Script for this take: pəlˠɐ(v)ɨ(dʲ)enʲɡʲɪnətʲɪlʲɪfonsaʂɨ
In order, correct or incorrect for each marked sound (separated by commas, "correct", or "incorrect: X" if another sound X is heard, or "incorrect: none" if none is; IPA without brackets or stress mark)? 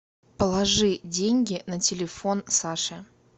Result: incorrect: ʐ, correct